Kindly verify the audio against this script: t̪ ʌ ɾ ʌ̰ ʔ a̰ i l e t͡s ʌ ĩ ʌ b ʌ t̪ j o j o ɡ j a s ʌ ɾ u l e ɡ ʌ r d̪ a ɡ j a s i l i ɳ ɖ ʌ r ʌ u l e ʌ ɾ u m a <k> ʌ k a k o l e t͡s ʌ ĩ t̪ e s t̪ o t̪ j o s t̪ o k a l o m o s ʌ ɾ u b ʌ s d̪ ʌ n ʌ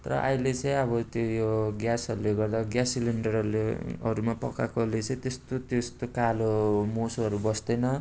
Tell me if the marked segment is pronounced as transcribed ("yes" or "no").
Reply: no